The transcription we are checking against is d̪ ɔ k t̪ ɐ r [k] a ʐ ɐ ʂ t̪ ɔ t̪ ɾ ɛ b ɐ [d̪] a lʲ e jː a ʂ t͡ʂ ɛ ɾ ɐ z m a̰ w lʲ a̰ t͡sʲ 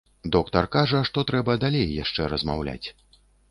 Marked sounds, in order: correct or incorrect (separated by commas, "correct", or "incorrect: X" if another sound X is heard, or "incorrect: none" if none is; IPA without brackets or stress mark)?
correct, correct